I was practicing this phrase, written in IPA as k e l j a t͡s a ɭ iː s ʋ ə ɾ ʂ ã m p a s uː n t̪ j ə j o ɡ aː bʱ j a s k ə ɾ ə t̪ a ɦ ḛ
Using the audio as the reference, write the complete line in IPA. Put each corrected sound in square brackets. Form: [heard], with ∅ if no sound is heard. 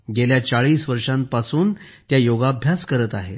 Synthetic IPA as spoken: [ɡ] e l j a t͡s a ɭ iː s ʋ ə ɾ ʂ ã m p a s uː n t̪ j [a] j o ɡ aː bʱ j a s k ə ɾ ə t̪ a ɦ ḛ